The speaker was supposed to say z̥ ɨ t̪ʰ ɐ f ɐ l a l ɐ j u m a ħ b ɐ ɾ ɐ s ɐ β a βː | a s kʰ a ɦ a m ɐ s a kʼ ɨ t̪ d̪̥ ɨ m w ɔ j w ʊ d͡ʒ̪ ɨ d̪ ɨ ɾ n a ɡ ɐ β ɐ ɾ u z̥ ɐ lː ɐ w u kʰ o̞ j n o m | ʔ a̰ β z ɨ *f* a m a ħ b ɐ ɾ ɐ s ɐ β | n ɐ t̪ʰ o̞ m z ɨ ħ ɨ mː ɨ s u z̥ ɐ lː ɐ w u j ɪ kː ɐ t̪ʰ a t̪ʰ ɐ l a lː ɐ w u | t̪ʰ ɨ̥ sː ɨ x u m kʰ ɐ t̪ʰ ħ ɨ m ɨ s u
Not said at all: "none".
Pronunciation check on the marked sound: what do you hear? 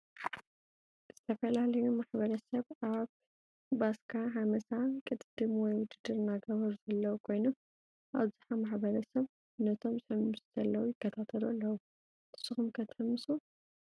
ħ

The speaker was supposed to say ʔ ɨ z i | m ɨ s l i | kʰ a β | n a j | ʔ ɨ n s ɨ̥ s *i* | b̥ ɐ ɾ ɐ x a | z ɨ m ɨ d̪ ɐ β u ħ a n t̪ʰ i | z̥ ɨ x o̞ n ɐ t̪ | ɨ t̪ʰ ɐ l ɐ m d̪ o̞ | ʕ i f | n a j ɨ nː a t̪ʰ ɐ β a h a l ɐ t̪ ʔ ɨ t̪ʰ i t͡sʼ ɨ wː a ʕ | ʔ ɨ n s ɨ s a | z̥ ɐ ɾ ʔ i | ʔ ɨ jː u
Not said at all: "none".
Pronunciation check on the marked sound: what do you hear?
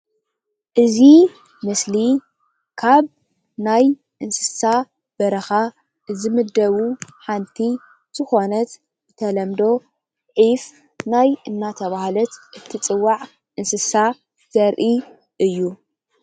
a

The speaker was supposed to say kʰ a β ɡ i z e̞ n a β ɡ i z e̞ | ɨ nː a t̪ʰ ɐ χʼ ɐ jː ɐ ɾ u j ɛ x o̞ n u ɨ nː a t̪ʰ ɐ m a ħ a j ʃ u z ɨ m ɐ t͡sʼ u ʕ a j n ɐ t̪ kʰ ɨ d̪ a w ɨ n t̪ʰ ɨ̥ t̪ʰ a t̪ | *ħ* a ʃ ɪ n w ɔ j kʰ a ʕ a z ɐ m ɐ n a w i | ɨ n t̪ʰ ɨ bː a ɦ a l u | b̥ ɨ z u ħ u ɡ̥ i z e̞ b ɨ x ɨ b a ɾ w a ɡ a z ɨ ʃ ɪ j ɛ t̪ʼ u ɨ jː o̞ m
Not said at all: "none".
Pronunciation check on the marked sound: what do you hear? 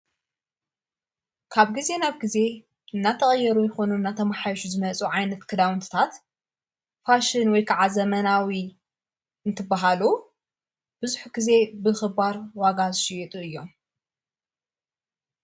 f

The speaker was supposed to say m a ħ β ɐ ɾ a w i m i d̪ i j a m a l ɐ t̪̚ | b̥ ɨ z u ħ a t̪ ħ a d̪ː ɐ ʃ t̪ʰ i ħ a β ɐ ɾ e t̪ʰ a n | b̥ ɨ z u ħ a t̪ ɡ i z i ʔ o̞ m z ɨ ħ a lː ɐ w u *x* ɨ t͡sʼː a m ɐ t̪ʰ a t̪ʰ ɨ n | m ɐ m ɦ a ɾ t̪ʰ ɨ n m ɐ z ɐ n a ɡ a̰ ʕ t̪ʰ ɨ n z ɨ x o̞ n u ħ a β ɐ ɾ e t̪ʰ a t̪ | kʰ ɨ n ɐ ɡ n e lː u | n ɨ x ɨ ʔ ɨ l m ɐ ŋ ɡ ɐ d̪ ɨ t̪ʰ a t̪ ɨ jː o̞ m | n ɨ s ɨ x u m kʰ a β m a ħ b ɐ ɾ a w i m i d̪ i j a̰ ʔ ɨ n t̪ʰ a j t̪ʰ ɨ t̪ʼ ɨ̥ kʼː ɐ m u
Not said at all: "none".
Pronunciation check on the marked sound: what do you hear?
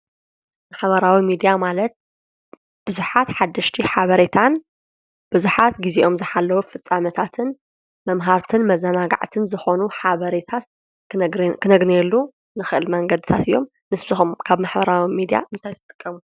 f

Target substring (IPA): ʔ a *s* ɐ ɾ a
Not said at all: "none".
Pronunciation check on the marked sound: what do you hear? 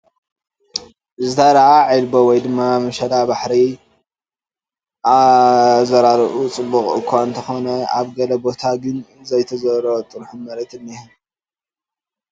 z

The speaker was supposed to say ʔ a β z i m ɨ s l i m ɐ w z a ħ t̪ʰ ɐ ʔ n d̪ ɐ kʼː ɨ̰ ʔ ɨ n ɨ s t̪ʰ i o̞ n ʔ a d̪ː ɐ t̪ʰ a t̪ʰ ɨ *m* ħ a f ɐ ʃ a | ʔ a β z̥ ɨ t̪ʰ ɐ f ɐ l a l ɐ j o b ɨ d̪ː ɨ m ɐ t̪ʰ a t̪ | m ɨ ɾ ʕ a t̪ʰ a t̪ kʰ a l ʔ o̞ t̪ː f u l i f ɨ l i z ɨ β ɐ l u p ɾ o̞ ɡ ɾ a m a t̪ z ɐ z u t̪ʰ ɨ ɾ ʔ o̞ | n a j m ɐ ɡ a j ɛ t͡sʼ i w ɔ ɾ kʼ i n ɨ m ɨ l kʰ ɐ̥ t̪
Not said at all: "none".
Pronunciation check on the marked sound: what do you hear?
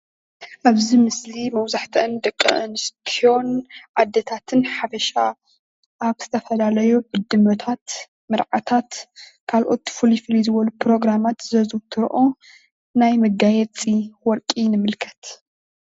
n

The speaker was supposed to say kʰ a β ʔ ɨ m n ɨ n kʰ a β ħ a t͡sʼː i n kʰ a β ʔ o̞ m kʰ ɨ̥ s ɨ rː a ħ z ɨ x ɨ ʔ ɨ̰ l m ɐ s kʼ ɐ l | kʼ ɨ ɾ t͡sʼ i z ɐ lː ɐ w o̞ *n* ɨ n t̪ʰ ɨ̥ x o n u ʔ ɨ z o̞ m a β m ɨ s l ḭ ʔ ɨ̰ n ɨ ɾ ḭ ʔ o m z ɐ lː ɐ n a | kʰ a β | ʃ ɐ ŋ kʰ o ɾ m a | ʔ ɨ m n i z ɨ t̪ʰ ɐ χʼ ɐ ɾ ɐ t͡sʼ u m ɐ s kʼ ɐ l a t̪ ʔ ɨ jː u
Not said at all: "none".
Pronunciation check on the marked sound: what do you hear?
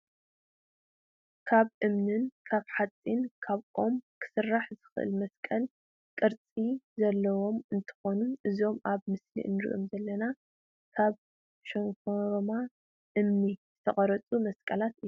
m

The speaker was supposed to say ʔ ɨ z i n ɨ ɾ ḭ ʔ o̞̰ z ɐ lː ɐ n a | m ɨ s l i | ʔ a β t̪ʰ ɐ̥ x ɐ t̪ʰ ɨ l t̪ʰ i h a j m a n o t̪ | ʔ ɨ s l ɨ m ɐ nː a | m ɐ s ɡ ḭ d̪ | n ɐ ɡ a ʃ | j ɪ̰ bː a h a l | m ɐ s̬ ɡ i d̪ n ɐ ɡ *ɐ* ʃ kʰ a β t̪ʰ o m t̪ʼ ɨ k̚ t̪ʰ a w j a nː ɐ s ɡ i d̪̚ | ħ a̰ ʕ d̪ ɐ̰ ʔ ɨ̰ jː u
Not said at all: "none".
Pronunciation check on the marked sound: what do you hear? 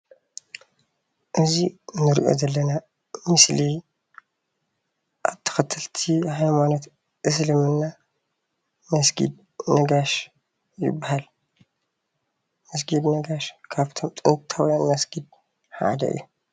a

